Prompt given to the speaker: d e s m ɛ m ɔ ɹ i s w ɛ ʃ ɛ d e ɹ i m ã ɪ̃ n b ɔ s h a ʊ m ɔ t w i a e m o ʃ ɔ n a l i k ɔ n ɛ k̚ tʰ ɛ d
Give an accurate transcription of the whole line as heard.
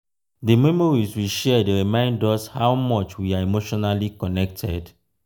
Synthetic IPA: d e m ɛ m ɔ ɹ i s w i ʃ ɛ d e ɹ i m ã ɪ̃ n d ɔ s h a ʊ m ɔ t͡ʃ w i a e m o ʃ ɔ n a l i k ɔ n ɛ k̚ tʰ ɛ d